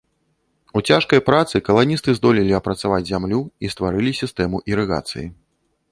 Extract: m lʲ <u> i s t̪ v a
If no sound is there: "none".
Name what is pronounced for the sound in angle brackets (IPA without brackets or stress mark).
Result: u